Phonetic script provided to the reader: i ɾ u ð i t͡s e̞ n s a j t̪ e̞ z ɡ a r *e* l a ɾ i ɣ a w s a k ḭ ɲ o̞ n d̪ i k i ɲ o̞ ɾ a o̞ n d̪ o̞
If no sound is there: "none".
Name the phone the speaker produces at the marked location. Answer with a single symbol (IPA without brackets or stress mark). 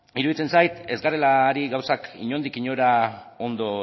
e